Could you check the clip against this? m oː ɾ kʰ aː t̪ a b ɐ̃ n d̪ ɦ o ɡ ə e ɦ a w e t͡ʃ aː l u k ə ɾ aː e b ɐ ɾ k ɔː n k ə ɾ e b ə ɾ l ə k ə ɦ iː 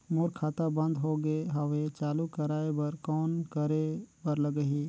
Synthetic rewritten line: m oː ɾ kʰ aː t̪ a b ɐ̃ n d̪ ɦ o ɡ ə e ɦ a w e t͡ʃ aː l u k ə ɾ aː e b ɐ ɾ k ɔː n k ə ɾ e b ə ɾ l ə ɡ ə ɦ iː